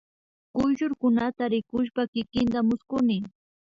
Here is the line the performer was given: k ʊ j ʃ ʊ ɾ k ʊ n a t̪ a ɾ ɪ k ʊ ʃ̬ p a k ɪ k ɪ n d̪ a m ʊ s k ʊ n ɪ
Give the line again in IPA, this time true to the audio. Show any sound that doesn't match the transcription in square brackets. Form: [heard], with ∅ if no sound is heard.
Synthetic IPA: k ʊ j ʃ ʊ ɾ k ʊ n a t̪ a ɾ ɪ k ʊ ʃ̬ p a k ɪ k ɪ n [t̪] a m ʊ s k ʊ n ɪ